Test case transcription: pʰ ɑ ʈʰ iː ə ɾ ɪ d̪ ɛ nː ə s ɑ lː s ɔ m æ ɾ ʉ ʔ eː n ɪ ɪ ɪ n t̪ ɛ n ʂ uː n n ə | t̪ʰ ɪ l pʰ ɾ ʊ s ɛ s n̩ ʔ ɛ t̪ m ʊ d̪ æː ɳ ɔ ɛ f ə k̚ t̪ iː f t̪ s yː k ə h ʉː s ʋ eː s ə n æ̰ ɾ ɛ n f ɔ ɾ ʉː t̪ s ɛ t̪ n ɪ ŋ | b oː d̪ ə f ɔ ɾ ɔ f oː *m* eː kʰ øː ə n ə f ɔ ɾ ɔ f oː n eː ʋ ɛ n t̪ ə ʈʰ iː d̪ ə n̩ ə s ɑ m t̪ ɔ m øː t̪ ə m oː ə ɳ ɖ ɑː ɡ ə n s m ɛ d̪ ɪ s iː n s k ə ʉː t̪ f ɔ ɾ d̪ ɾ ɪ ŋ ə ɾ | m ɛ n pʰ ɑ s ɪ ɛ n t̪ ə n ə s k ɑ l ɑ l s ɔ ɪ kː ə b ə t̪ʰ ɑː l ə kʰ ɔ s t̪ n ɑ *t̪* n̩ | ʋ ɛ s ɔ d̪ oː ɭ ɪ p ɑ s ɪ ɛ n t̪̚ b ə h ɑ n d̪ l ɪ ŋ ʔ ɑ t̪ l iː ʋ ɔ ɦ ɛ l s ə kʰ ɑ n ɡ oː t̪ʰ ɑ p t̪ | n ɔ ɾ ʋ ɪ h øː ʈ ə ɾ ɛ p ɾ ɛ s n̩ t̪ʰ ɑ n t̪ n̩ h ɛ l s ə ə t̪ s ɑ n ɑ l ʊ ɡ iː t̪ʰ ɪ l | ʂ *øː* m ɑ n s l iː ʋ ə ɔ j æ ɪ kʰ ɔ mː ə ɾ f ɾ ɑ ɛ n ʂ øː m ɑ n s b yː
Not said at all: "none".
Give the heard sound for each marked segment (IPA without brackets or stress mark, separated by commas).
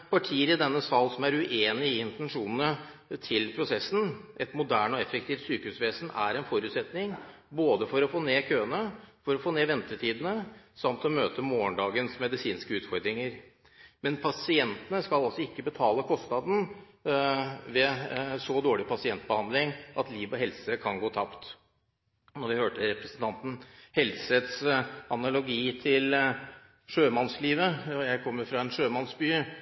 n, d̪, øː